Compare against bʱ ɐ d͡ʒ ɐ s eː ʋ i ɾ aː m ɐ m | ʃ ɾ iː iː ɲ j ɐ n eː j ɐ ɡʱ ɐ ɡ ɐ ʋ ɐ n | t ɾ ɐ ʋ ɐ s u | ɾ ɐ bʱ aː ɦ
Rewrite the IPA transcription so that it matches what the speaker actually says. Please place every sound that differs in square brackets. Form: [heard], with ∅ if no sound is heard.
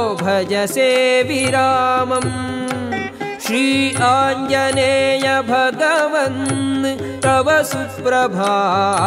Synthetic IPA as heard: bʱ ɐ d͡ʒ ɐ s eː ʋ i ɾ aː m ɐ m | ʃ ɾ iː [aː] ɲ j ɐ n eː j ɐ [bʱ] ɐ ɡ ɐ ʋ ɐ n | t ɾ ɐ ʋ ɐ s u | ɾ ɐ bʱ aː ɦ